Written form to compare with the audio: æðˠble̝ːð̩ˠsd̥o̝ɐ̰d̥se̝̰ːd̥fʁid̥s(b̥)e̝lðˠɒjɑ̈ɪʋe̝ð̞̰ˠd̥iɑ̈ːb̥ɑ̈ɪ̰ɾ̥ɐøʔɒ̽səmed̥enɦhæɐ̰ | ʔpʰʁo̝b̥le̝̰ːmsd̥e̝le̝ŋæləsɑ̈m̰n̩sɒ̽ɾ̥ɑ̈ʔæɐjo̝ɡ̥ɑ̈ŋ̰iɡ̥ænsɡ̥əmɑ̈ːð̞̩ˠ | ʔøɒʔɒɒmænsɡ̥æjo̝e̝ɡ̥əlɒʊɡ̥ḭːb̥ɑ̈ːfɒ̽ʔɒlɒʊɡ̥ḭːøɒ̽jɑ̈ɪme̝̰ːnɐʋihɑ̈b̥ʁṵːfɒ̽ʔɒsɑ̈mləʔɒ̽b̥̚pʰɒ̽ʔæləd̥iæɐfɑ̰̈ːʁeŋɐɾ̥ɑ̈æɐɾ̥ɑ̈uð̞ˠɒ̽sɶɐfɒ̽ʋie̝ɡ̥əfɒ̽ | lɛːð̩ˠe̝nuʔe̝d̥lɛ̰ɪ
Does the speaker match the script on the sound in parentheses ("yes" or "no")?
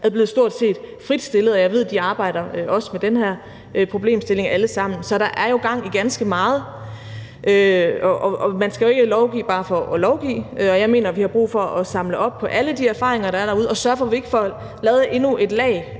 no